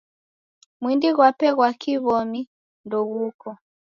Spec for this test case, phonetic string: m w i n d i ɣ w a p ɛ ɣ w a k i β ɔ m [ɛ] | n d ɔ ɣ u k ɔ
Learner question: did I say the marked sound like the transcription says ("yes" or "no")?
no